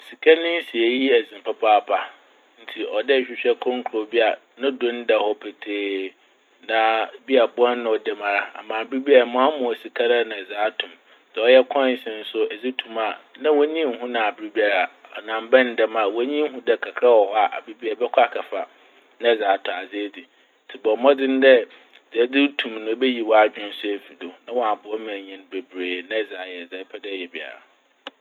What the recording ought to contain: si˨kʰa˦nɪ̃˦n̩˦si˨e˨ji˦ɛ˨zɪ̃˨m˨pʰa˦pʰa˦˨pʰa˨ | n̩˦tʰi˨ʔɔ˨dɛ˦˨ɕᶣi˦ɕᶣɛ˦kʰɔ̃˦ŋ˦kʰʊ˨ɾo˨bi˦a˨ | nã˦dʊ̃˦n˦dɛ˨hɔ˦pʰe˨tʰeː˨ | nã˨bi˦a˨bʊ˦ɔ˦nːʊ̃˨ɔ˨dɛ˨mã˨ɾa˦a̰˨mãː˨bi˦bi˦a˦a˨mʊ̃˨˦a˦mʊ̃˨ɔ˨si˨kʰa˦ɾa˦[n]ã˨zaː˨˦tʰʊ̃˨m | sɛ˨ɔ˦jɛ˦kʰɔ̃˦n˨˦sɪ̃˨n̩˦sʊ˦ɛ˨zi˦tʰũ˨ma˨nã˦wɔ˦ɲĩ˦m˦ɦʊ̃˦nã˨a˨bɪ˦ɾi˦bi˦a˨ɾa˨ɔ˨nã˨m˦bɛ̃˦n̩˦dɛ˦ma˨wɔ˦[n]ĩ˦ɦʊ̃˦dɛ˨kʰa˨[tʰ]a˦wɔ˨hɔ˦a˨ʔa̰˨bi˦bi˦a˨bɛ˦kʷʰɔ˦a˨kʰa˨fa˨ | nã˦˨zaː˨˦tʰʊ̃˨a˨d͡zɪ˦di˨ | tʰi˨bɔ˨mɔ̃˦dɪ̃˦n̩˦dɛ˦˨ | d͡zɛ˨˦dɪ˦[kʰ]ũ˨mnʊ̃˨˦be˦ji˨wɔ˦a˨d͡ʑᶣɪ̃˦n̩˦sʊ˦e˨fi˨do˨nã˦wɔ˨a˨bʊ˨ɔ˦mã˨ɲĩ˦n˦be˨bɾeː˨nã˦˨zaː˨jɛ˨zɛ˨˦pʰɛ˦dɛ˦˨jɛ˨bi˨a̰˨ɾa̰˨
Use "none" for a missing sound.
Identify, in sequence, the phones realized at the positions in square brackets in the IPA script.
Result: n, ɲ, kʰ, tʰ

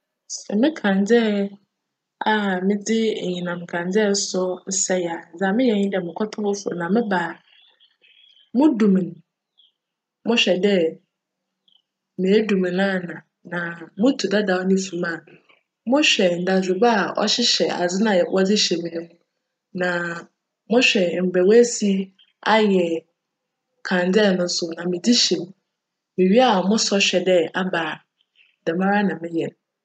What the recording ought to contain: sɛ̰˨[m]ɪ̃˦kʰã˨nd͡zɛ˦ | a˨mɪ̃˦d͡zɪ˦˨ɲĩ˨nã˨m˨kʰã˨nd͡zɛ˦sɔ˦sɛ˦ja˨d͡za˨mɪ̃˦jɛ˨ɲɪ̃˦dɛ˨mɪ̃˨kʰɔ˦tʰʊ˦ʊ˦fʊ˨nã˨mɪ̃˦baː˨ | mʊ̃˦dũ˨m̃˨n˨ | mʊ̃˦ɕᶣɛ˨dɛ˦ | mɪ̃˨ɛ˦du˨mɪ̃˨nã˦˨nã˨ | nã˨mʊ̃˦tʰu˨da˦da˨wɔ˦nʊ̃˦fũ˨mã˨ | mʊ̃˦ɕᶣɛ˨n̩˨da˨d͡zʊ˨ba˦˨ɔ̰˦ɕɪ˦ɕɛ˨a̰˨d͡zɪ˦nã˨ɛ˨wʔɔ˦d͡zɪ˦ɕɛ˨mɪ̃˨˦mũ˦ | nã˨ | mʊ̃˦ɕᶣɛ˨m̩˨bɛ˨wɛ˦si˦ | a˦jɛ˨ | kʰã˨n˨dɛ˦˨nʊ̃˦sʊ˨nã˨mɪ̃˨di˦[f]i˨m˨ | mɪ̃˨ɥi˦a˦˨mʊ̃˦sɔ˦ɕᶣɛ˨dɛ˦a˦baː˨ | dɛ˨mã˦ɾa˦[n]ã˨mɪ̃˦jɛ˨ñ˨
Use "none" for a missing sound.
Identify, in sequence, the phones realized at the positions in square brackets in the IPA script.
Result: m, ɕ, n

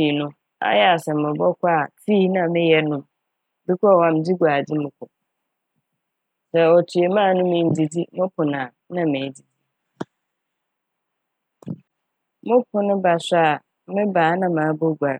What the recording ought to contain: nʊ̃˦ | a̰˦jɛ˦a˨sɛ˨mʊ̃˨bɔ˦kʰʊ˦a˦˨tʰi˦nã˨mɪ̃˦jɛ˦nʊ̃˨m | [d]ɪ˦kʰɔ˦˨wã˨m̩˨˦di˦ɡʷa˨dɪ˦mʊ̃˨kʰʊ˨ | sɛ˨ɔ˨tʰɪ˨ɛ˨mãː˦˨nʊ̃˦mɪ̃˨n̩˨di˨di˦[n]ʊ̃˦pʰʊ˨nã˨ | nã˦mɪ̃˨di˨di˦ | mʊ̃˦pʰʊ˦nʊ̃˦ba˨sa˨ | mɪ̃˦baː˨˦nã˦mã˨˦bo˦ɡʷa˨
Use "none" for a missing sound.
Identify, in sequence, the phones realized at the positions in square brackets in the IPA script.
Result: b, m

